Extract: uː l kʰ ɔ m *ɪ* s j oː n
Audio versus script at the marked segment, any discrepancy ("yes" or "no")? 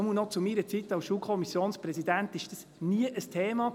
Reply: yes